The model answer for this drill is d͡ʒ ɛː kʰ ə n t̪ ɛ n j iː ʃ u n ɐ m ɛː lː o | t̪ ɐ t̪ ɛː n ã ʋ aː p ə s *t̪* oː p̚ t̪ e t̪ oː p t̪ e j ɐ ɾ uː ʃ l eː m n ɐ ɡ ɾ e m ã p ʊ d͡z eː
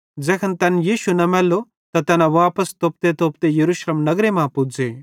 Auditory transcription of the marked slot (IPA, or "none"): t̪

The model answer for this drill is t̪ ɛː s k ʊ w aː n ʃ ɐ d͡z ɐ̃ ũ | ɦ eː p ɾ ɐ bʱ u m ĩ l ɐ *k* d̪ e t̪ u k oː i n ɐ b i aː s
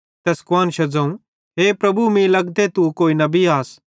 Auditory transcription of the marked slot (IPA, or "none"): ɡ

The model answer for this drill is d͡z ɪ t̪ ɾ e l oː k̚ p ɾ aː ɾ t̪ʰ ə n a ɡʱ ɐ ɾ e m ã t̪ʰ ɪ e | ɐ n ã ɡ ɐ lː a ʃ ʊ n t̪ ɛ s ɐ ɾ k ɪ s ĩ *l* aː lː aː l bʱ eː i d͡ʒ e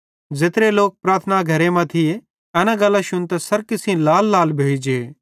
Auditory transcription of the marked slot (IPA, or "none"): l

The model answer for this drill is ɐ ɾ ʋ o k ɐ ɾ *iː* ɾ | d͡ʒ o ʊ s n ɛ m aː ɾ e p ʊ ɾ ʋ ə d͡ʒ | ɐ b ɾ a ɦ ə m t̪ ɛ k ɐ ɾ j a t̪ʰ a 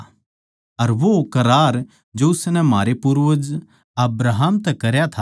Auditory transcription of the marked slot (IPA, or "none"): aː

